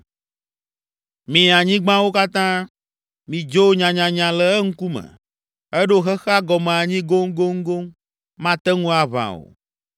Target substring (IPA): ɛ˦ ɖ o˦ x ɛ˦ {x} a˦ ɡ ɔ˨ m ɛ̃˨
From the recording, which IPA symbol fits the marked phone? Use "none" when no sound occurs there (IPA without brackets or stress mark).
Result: x